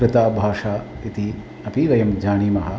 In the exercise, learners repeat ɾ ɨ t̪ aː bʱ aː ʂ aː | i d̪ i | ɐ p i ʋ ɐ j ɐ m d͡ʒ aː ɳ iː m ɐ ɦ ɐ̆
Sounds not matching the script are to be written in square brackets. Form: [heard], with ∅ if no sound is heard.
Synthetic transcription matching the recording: ɾ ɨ t̪ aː bʱ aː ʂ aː | i [t̪] i | ɐ p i ʋ ɐ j ɐ m d͡ʒ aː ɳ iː m ɐ ɦ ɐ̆